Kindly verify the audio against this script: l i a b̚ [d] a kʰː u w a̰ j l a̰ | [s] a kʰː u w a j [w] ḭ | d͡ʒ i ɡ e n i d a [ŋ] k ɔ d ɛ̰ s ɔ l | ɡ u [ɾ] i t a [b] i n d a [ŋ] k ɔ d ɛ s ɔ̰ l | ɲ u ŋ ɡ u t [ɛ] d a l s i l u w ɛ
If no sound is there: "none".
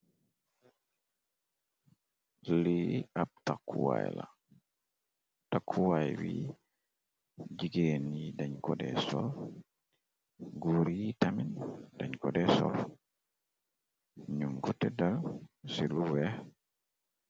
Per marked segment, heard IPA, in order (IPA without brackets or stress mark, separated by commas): t, t, w, ɲ, ɾ, m, ɲ, ɛ